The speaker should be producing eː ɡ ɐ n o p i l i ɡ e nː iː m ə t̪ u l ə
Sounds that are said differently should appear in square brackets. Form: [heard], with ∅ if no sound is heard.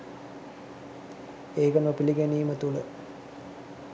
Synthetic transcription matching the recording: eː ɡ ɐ n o p i l i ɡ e [n] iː m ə t̪ u l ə